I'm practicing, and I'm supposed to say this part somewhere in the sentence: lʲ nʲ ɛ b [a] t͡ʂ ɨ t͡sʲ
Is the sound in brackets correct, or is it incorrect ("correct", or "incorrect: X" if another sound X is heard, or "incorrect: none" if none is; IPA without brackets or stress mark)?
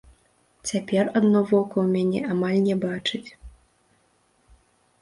correct